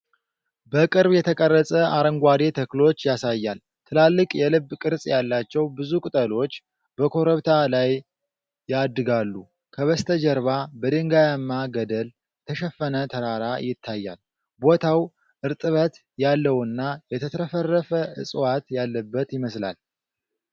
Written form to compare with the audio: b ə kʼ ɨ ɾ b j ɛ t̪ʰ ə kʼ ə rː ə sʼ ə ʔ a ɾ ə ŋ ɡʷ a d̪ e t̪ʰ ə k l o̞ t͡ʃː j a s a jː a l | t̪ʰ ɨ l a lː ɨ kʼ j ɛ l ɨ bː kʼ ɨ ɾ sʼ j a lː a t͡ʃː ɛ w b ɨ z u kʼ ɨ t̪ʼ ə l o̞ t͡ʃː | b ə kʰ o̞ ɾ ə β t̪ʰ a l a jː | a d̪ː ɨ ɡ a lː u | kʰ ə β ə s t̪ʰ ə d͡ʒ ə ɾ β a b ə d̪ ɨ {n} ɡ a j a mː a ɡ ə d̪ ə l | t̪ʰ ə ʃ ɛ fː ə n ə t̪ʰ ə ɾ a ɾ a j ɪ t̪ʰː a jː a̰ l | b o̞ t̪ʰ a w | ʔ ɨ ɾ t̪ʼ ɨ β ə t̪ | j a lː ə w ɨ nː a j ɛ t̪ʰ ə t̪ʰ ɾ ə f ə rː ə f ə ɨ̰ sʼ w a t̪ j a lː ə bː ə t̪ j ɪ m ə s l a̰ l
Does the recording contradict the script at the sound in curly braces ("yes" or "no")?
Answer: yes